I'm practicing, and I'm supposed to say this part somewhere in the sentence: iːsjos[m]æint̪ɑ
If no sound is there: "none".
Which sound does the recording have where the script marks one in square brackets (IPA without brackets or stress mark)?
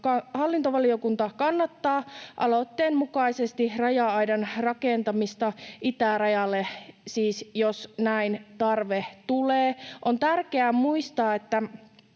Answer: n